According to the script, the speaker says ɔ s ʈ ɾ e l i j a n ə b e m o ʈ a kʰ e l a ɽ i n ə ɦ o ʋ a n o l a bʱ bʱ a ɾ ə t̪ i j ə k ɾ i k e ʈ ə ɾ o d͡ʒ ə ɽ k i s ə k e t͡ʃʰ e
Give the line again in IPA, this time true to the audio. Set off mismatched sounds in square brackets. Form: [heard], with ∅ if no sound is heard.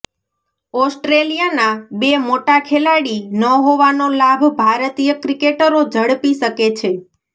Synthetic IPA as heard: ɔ s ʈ ɾ e l i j a n [a] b e m o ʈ a kʰ e l a ɽ i n ə ɦ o ʋ a n o l a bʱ bʱ a ɾ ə t̪ i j ə k ɾ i k e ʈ ə ɾ o d͡ʒ ə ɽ [p] i [ʃ] ə k e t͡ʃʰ e